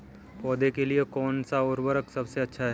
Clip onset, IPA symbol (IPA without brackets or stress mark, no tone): p